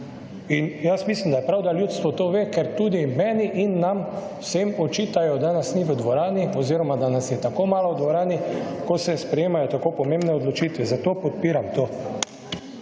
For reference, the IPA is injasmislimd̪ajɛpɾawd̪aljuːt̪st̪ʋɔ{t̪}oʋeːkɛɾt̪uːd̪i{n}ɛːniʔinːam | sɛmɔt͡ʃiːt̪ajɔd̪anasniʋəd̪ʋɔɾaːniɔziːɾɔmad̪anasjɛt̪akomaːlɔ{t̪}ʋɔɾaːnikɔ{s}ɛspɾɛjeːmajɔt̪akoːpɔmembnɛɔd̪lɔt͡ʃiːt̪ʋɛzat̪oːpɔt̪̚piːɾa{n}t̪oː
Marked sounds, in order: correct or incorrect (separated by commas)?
correct, incorrect, incorrect, correct, incorrect